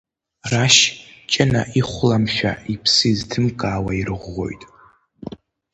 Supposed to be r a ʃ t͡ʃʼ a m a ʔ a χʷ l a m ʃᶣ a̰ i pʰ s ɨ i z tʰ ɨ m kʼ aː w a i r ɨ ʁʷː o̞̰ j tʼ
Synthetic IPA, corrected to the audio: r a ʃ t͡ʃʼ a n a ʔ i χʷ l a m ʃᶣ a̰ i pʰ s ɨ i z tʰ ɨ m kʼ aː w a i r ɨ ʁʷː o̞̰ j tʼ